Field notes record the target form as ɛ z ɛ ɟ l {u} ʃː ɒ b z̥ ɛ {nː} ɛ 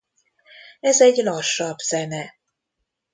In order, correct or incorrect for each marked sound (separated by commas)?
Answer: incorrect, incorrect